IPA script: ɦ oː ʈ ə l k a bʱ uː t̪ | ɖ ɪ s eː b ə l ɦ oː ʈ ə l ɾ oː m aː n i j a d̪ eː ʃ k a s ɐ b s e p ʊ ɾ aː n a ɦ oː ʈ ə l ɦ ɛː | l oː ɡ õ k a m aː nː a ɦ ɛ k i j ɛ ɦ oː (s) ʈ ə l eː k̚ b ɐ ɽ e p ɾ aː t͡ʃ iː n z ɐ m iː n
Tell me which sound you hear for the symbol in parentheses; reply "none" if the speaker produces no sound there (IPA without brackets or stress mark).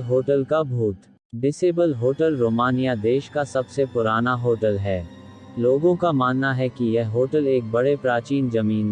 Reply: none